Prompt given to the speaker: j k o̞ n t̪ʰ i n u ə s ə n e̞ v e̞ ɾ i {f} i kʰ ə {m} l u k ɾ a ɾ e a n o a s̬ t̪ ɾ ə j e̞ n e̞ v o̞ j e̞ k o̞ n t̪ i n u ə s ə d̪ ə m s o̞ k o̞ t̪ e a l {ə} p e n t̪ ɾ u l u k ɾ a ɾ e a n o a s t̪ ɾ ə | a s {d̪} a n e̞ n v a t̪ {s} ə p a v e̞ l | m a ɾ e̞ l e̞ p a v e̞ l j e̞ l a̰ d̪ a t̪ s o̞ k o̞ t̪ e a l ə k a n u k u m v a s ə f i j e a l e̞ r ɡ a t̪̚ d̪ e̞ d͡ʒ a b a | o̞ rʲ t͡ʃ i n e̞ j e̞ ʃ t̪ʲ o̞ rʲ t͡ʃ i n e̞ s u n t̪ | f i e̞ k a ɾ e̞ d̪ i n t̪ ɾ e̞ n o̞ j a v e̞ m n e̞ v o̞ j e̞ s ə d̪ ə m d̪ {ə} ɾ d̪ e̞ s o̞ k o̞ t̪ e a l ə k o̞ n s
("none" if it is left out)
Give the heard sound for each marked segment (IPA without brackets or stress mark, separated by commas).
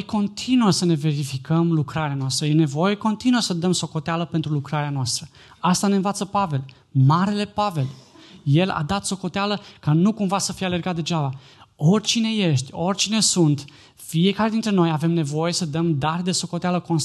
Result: f, m, ə, t̪, s, a